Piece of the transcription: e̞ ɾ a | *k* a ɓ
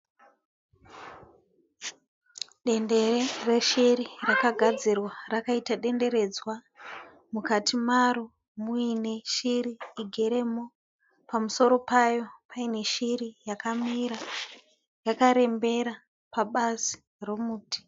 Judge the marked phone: incorrect: p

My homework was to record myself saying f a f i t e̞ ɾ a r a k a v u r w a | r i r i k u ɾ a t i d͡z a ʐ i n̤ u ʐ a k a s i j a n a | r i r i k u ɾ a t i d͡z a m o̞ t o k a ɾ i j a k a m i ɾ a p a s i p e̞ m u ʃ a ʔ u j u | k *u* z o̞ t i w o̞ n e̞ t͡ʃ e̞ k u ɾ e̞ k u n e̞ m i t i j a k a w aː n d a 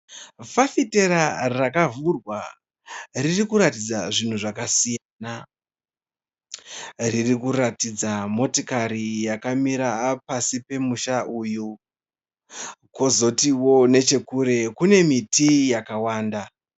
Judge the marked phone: incorrect: o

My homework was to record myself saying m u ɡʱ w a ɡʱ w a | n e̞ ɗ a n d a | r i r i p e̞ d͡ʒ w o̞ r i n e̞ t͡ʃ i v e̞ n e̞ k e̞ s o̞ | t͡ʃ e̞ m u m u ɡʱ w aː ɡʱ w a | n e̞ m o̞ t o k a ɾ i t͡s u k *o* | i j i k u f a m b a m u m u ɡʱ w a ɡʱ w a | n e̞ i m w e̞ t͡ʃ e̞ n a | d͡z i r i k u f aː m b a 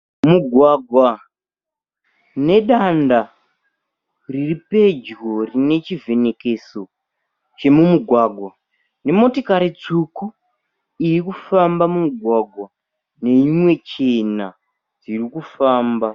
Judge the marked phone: incorrect: u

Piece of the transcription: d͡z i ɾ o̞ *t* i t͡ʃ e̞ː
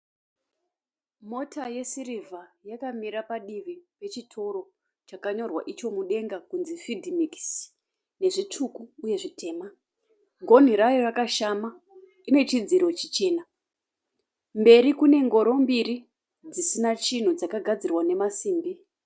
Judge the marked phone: incorrect: t͡ʃ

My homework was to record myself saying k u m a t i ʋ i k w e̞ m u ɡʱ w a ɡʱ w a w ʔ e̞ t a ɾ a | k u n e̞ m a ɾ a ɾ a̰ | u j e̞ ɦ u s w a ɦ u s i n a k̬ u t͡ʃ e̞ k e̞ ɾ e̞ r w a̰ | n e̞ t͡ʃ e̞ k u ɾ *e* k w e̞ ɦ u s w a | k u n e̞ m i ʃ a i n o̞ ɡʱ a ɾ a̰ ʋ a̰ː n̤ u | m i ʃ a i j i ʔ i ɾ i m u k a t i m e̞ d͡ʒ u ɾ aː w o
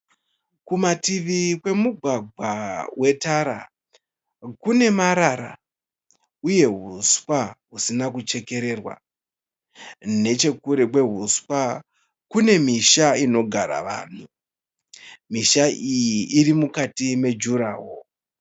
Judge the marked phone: correct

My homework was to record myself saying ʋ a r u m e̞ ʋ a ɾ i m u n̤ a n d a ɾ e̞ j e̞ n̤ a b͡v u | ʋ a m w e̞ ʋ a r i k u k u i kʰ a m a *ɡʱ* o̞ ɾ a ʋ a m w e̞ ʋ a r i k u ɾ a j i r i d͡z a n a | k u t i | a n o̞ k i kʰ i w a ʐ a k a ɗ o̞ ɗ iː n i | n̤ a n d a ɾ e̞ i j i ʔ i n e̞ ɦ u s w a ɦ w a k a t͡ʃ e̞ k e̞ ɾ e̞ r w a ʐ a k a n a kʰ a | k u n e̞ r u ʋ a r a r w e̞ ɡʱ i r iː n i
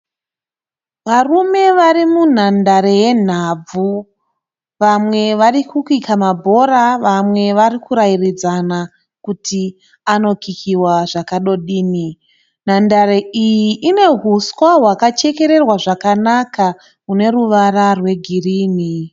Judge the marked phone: incorrect: bʱ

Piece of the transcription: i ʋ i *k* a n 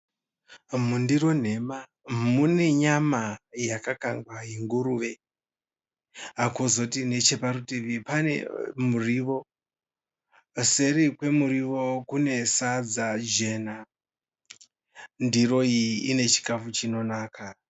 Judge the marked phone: incorrect: p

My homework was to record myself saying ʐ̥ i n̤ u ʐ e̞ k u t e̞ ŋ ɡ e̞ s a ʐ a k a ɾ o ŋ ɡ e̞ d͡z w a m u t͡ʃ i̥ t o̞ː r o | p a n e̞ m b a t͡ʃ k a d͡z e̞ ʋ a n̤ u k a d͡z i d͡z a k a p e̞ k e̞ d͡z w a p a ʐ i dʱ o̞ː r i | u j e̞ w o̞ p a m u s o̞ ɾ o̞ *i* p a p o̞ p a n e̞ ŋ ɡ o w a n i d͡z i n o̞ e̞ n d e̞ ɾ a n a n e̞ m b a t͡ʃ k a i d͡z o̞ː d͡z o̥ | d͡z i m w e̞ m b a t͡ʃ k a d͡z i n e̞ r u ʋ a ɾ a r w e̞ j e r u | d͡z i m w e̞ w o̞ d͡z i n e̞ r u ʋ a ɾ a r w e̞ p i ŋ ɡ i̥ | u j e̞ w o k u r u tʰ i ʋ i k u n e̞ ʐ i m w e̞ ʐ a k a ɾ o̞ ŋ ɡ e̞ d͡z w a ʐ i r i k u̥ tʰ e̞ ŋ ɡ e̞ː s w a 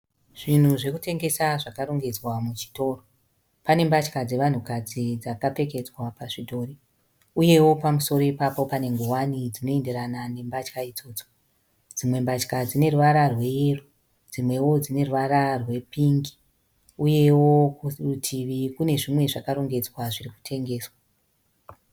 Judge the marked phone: correct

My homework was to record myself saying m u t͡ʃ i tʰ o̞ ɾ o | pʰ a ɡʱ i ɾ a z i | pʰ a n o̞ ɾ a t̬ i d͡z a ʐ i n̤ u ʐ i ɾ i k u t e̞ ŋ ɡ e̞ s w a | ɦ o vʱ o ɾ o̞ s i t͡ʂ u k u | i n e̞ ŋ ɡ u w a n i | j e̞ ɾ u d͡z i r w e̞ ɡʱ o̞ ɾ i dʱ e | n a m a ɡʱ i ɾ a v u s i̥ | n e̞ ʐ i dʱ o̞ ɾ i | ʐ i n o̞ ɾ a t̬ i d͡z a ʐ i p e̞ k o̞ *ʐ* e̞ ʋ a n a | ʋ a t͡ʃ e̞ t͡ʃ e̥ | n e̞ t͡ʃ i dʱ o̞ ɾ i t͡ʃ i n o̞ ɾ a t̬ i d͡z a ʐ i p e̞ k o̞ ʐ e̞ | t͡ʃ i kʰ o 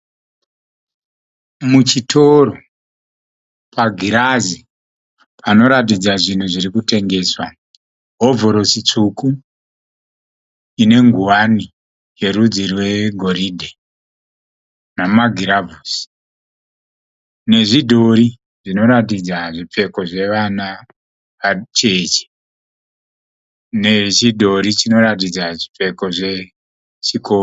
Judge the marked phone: correct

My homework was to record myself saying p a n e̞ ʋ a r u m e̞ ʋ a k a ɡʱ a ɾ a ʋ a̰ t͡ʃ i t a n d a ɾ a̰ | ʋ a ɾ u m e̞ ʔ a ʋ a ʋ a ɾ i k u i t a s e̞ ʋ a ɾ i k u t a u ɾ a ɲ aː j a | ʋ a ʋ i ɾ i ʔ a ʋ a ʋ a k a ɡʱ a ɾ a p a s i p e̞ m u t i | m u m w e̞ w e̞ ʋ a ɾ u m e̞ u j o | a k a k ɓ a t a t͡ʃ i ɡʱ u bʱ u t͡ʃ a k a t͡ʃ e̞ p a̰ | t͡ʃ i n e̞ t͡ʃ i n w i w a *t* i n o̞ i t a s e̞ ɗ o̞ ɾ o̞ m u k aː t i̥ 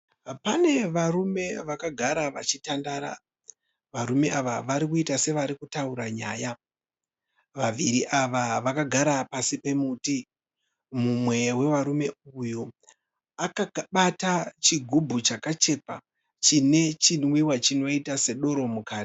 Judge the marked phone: incorrect: t͡ʃ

